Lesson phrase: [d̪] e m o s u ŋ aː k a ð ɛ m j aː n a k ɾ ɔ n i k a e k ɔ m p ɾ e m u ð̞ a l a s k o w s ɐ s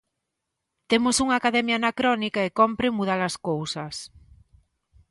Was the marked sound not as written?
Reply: yes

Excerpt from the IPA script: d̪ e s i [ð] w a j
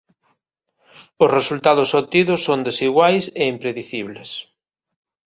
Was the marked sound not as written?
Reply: yes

